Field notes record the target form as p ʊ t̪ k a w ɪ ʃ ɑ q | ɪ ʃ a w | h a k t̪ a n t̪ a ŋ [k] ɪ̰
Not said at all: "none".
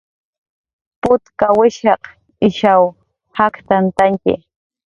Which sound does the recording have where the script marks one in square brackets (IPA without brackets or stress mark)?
k